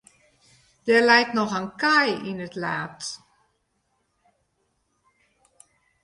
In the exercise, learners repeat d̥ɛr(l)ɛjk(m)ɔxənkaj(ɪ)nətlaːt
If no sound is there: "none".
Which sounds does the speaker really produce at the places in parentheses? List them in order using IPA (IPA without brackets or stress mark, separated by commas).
l, n, i